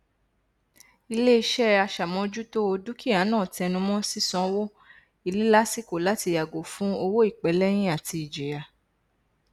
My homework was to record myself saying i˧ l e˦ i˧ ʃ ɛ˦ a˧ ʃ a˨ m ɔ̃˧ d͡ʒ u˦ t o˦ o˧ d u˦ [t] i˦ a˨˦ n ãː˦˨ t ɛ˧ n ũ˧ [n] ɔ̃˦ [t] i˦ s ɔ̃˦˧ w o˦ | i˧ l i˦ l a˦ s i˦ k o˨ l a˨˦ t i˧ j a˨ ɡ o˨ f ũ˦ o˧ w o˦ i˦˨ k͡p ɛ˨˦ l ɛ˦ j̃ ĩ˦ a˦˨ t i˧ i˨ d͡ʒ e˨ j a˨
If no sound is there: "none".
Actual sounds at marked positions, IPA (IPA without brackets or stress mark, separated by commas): k, m, s